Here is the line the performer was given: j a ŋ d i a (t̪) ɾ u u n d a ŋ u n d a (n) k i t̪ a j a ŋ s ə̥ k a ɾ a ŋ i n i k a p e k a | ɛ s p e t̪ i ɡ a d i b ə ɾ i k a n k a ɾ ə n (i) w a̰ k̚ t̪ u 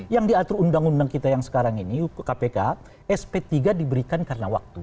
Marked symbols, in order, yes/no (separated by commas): yes, no, no